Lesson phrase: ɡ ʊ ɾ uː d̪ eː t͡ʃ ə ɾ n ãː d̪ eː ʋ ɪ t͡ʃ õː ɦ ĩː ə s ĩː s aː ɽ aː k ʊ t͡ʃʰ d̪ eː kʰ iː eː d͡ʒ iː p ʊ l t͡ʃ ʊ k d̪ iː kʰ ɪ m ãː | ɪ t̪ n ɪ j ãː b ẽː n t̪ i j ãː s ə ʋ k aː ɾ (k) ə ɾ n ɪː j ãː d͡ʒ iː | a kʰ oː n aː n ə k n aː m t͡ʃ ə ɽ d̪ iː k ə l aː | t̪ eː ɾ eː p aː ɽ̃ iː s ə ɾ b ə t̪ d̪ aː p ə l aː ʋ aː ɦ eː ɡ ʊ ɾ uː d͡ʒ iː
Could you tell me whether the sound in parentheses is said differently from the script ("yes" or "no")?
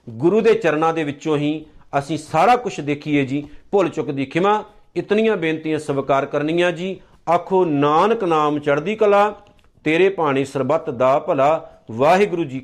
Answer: no